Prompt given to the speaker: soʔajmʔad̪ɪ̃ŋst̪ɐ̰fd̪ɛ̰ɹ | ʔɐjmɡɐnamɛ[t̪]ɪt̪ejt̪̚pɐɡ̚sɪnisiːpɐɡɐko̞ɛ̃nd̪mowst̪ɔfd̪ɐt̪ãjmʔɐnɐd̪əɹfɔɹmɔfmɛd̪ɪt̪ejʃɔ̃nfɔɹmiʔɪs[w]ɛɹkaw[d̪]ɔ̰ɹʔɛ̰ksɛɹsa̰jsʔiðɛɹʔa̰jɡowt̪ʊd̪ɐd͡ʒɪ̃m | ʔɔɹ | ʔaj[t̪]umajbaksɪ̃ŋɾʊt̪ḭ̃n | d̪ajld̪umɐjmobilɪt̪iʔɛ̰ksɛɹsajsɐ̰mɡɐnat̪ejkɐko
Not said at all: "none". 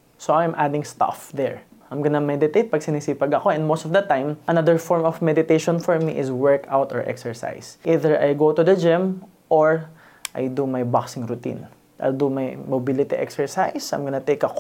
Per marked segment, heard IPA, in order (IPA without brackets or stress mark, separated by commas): d̪, w, t̪, d̪